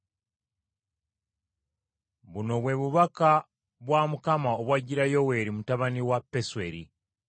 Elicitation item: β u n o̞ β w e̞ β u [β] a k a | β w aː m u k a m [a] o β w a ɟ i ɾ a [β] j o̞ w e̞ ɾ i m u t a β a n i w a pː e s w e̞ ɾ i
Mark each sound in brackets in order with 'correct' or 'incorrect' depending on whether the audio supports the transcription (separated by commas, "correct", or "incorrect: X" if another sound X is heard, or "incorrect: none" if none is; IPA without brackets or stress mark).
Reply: correct, correct, incorrect: none